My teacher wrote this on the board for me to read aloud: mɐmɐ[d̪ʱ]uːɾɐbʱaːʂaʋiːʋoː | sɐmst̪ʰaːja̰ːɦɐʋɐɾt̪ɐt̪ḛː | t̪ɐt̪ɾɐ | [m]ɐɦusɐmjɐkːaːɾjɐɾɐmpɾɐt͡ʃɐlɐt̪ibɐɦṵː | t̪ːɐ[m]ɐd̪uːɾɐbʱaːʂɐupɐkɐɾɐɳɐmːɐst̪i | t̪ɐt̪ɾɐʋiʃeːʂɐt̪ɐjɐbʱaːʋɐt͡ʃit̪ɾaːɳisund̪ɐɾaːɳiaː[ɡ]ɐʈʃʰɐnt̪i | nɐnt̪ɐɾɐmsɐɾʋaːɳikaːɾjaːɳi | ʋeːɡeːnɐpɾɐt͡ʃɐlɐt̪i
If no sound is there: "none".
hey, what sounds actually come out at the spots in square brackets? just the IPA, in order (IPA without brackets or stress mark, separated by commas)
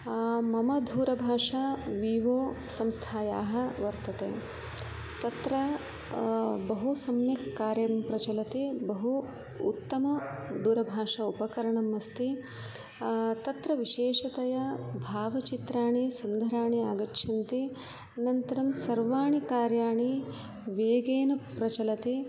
d̪ʱ, b, m, ɡ